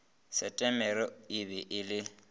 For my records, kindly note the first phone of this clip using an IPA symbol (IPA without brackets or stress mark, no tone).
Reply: s